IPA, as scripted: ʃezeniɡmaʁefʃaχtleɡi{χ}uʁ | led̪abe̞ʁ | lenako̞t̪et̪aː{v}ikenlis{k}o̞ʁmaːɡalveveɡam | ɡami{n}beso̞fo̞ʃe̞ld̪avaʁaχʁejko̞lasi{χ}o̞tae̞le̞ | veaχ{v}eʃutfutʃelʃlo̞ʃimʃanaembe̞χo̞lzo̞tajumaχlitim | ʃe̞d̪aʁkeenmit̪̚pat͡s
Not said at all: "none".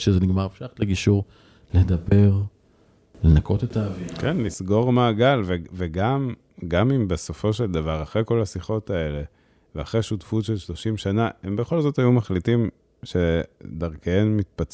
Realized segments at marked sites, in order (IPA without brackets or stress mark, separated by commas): ʃ, v, ɡ, m, χ, ʁ